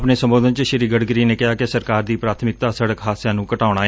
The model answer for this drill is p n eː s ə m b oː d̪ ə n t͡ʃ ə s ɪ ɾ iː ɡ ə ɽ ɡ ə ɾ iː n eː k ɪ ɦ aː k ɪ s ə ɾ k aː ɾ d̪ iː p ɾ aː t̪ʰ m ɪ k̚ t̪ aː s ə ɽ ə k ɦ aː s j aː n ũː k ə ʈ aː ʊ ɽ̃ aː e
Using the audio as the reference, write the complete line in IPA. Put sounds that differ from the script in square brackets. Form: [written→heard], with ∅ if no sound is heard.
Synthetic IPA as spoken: p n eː s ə m b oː d̪ ə n t͡ʃ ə [s→ʃ] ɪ ɾ iː ɡ ə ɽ ɡ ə ɾ iː n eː k ɪ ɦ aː k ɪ s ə ɾ k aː ɾ d̪ iː p ɾ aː t̪ʰ m ɪ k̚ t̪ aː s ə ɽ ə k ɦ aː s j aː n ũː k ə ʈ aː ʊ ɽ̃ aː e